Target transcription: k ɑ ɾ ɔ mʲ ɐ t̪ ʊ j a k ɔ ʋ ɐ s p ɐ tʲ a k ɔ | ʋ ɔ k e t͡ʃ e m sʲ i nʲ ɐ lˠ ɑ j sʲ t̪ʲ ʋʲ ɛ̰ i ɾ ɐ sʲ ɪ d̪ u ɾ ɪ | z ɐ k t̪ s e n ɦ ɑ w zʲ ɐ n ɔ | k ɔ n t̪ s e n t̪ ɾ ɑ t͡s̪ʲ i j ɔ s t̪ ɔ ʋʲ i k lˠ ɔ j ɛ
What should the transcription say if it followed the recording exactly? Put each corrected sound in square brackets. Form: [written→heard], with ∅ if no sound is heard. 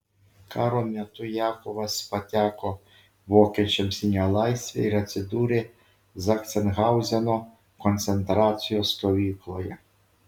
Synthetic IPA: k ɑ ɾ ɔ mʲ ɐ t̪ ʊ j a k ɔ ʋ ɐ s p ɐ tʲ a k ɔ | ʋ ɔ k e t͡ʃ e m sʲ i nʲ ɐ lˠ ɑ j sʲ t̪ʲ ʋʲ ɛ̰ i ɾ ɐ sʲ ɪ d̪ u ɾ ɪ | z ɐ k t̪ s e n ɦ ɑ w zʲ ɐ n ɔ | k ɔ n t̪ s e n t̪ ɾ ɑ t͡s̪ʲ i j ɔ s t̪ ɔ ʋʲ i k lˠ ɔ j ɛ